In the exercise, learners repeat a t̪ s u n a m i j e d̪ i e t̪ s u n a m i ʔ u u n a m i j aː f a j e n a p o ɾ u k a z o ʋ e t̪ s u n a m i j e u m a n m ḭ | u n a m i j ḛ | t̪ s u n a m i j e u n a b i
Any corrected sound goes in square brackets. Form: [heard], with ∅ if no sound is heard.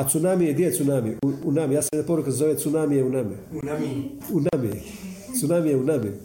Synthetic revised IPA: a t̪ s u n a m i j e d̪ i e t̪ s u n a m i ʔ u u n a m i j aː [s] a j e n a p o ɾ u k a z o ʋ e t̪ s u n a m i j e u [n] a [∅] m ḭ | u n a m i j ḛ | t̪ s u n a m i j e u n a [m] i